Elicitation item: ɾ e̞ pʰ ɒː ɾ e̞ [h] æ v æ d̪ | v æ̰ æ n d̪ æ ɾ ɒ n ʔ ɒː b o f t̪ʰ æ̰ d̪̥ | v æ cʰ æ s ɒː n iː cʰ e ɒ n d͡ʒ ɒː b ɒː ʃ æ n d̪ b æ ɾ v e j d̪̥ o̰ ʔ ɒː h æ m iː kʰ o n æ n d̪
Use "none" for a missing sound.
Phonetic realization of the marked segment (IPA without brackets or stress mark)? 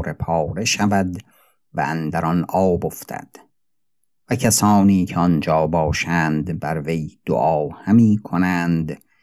ʃ